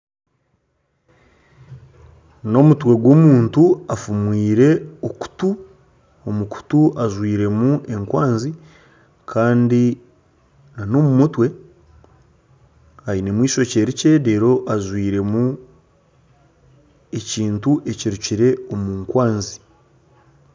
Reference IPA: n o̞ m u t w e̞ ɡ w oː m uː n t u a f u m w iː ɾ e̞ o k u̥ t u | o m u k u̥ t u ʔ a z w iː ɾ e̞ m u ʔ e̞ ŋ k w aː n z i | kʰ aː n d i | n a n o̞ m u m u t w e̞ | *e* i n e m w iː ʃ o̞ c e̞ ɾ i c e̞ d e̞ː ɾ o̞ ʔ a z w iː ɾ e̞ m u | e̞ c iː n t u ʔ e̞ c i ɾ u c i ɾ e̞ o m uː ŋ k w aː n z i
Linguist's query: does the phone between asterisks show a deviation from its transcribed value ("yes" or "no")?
yes